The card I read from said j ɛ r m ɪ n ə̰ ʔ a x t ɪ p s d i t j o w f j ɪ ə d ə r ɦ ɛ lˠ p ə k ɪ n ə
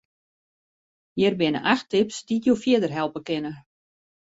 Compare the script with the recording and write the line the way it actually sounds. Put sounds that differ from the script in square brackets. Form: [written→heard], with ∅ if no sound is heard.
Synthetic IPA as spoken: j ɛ r [m→b] ɪ n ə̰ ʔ a x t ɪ p s d i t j o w f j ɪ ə d ə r ɦ ɛ lˠ p ə k ɪ n ə